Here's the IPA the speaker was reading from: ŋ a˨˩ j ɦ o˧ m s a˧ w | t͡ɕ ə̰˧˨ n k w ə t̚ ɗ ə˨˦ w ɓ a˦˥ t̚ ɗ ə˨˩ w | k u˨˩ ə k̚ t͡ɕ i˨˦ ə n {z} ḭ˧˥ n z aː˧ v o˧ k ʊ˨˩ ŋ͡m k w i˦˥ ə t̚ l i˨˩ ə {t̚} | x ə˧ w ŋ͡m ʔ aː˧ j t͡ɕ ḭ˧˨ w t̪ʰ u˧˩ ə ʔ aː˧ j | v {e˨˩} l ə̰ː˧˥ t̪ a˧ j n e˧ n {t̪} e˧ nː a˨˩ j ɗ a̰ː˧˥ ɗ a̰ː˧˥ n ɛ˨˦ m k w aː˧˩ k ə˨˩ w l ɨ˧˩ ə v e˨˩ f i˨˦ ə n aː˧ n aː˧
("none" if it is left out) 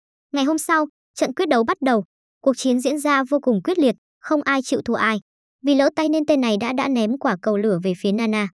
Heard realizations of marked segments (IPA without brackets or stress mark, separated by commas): z, t̚, i˨˩, t̪